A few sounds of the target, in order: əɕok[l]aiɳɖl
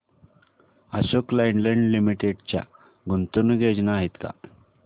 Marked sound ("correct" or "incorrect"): correct